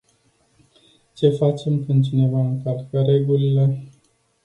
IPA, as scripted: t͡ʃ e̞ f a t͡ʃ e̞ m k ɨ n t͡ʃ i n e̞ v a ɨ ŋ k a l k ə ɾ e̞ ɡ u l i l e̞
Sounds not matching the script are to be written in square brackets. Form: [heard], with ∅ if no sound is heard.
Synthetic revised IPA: t͡ʃ e̞ f a t͡ʃ e̞ m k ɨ n t͡ʃ i n e̞ v a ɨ ŋ k a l k ə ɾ e̞ ɡ u l i l e̞